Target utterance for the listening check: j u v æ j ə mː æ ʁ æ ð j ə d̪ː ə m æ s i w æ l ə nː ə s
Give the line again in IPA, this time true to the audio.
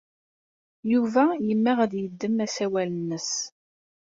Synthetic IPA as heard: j u v æ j ə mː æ ʁ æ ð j ə d̪ː ə m æ s æ w æ l ə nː ə s